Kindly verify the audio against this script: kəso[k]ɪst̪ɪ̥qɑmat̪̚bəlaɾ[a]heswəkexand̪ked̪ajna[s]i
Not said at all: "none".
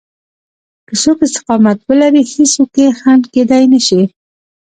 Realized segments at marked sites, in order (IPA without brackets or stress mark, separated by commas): k, i, ʃ